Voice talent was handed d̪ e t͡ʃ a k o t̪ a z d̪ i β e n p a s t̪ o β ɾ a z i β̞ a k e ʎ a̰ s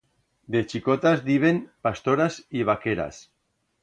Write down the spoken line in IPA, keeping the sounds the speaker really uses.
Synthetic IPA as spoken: d̪ e t͡ʃ i k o t̪ a z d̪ i β e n p a s t̪ o ɾ a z i β̞ a k e ɾ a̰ s